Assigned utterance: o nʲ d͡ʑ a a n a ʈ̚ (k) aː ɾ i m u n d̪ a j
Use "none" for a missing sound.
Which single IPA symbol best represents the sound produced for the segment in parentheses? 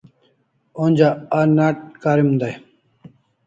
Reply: k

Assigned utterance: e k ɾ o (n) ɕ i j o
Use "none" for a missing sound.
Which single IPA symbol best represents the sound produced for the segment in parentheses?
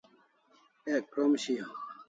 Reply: m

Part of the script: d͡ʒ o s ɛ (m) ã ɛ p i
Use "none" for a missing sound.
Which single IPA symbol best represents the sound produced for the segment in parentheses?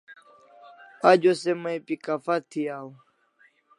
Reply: m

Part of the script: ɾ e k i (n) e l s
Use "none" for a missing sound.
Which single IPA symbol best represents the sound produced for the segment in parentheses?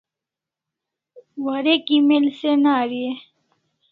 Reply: m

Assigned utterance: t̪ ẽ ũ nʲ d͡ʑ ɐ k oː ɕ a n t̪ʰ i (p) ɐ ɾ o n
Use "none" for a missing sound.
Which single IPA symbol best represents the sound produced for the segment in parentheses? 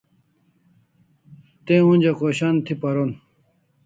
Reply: p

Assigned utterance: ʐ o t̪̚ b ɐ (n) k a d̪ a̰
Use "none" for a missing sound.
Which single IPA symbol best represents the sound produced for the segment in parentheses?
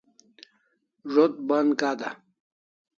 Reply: n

